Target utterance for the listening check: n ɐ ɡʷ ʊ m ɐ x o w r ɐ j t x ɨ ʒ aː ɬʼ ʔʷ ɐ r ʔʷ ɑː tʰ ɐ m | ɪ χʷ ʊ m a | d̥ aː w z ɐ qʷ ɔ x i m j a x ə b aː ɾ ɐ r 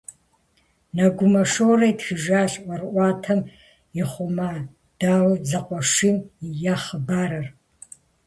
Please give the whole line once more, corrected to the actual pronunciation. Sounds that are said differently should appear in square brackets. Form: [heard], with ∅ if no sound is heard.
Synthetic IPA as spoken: n ɐ ɡʷ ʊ m ɐ [ʂ] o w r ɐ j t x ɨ ʒ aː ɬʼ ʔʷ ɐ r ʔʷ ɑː tʰ ɐ m | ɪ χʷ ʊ m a | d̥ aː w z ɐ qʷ ɔ [ʂ] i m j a [χ] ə b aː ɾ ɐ r